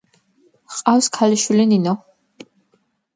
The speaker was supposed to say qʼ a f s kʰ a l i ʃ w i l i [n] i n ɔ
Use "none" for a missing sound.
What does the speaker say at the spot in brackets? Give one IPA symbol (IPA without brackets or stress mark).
n